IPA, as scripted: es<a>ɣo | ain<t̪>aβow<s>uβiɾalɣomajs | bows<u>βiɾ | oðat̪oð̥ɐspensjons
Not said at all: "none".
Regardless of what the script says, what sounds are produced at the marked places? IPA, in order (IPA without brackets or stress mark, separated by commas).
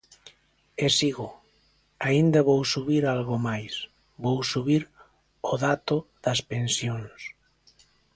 i, d̪, s, u